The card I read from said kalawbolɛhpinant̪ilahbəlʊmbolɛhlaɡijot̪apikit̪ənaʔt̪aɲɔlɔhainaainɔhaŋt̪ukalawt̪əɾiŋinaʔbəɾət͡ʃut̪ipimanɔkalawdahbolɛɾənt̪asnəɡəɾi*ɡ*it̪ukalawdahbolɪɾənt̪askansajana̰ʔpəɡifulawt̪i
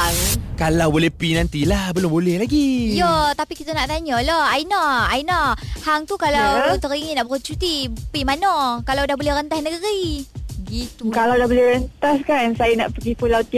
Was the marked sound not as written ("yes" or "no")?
no